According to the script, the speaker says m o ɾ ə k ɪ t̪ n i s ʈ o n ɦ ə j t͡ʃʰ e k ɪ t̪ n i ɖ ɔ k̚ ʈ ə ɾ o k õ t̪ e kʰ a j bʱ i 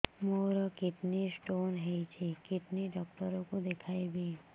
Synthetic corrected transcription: m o ɾ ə k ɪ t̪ n i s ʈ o n ɦ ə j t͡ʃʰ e k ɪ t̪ n i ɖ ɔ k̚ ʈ ə ɾ o k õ d̪ e kʰ a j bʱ i